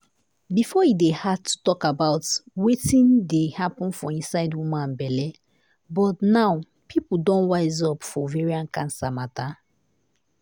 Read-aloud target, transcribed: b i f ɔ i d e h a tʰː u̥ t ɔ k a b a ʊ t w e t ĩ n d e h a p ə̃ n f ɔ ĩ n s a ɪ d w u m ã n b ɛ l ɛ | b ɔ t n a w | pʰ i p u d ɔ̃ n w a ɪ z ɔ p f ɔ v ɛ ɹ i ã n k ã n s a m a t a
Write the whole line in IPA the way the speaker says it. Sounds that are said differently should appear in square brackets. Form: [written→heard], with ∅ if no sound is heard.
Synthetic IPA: b i f ɔ i d e h a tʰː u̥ t ɔ k a b a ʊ t w e t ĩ n d e h a p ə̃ n f ɔ ĩ n s a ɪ d w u m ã n b ɛ l ɛ | b ɔ t n a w | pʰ i p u d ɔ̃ n w a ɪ z ɔ p f ɔ v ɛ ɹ i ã n k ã n s a m a t a